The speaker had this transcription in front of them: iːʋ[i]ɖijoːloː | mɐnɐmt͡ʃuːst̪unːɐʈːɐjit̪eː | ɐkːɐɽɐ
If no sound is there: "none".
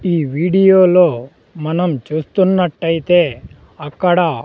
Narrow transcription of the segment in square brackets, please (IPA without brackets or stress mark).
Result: iː